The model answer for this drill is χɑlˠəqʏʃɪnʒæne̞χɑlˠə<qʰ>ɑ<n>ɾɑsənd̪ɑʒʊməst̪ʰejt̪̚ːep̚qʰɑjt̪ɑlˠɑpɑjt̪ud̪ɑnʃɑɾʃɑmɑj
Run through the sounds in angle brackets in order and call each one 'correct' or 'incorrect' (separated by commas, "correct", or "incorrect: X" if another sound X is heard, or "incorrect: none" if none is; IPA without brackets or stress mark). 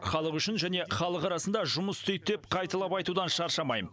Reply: incorrect: q, incorrect: none